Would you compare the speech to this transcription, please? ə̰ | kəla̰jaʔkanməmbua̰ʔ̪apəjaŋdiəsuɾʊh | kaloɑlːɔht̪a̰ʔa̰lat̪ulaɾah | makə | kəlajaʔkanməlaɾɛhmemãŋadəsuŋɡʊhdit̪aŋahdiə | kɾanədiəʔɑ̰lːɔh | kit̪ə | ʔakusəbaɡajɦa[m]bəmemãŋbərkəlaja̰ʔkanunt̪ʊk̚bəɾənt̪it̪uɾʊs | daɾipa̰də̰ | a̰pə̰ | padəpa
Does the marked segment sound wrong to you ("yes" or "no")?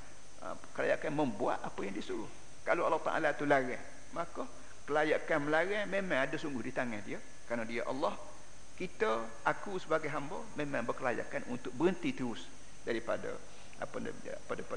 no